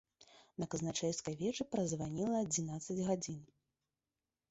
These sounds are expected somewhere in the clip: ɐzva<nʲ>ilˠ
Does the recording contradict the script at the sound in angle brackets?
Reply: no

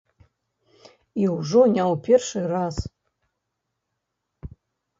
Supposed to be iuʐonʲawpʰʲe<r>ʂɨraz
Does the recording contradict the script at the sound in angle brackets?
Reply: no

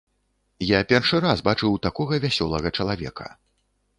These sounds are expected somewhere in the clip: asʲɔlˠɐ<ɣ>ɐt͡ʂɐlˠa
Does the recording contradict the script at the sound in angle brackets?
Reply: no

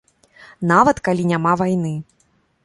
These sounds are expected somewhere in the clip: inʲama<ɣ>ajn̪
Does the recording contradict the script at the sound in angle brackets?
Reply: yes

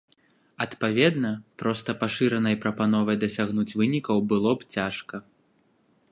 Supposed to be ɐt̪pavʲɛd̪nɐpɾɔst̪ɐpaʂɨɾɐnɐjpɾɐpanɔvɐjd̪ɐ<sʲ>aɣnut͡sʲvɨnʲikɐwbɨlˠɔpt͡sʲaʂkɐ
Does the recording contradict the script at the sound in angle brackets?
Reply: no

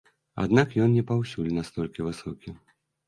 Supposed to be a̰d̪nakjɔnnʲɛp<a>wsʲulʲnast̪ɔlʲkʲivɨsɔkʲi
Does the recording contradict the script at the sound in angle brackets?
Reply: no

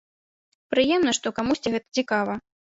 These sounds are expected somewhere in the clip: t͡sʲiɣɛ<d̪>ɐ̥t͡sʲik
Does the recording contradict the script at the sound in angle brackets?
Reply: yes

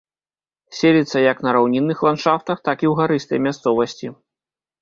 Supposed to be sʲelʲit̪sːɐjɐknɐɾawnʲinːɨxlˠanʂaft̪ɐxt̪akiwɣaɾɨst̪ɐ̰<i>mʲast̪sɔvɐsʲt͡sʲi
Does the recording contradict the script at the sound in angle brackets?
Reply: yes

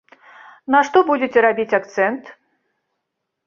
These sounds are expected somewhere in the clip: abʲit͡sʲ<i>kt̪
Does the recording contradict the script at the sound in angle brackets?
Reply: yes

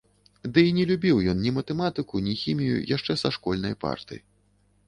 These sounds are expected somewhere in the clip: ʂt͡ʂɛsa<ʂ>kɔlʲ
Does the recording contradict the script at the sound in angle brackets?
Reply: no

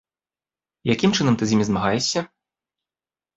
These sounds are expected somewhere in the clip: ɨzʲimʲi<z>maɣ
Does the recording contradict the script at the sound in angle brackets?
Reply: no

